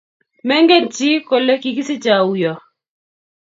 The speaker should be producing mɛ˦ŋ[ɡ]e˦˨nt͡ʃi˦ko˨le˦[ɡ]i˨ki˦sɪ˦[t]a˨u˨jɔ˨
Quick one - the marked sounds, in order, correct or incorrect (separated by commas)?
correct, incorrect, incorrect